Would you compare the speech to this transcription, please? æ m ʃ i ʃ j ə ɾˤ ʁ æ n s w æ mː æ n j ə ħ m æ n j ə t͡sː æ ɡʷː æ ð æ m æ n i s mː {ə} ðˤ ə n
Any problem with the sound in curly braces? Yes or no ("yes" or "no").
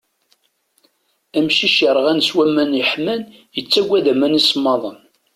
yes